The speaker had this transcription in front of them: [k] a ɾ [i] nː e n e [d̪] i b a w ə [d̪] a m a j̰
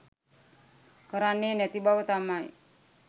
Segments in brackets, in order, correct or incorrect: correct, incorrect, incorrect, incorrect

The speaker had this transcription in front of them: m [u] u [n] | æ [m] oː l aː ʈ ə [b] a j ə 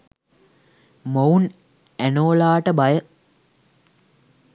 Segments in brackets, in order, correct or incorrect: incorrect, correct, incorrect, correct

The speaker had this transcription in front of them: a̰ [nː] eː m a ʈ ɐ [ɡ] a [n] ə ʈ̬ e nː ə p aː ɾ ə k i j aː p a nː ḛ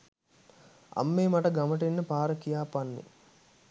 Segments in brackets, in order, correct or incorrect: incorrect, correct, incorrect

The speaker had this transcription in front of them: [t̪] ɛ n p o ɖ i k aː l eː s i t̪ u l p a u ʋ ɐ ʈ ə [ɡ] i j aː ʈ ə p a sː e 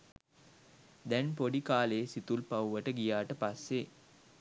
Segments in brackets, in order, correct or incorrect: incorrect, correct

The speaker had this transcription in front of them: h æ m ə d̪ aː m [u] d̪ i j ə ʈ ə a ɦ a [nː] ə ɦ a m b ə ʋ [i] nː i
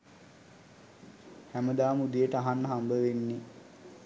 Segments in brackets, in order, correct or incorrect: correct, correct, incorrect

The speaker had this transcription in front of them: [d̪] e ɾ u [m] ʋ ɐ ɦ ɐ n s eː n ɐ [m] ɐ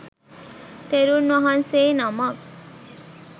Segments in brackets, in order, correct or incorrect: incorrect, incorrect, correct

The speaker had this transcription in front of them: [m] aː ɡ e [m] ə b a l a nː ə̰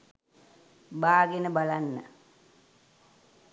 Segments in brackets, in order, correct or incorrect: incorrect, incorrect

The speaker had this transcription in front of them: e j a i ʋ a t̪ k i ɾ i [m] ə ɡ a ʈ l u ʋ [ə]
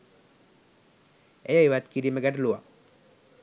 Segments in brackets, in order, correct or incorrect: correct, incorrect

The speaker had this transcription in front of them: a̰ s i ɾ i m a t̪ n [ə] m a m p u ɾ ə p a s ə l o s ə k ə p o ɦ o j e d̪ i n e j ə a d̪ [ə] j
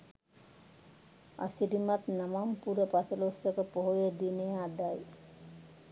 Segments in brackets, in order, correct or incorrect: incorrect, incorrect

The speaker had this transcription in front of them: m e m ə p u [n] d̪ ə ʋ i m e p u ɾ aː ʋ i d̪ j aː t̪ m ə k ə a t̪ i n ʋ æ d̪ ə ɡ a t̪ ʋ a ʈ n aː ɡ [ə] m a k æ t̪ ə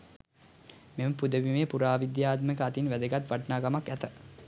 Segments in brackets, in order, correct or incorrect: incorrect, incorrect

